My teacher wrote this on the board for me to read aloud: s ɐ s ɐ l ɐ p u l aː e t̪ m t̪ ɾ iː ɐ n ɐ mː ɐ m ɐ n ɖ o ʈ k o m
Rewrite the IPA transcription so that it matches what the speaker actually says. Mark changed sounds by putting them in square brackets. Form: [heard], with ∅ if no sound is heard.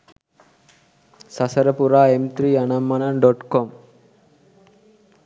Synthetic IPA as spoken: s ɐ s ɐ [ɾ] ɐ p u [ɾ] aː e [∅] m t̪ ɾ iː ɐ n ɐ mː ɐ [n] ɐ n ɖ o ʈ k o m